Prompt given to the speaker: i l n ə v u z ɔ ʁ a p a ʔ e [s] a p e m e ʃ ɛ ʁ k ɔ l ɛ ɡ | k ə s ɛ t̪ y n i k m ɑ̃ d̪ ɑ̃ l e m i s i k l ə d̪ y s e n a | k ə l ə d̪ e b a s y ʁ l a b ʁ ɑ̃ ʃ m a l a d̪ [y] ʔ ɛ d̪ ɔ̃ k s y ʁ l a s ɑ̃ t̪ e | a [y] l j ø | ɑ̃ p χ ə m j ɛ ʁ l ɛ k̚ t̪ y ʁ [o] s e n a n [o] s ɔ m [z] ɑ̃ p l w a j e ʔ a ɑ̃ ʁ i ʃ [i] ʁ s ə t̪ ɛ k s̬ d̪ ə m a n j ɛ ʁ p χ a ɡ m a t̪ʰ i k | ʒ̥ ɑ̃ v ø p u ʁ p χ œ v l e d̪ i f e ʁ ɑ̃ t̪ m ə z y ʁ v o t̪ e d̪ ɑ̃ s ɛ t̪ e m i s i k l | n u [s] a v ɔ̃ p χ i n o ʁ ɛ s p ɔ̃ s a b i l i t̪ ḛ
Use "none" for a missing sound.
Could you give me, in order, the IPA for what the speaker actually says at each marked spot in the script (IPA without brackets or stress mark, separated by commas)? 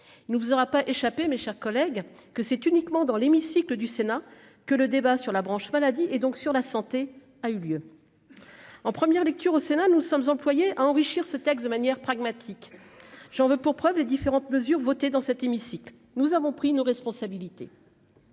ʃ, i, y, o, u, z, i, z